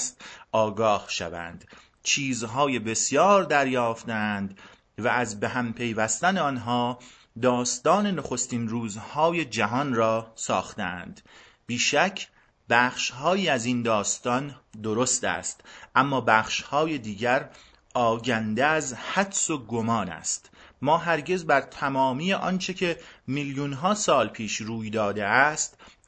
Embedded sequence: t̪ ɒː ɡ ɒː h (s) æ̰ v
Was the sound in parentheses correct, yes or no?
no